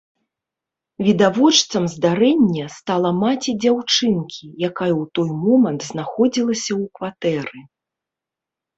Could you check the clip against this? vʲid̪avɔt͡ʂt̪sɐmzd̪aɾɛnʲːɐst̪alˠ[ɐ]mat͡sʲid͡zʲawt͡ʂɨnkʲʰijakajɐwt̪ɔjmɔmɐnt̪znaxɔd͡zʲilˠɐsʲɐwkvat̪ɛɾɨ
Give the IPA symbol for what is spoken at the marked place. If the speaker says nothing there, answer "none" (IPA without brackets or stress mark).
ɐ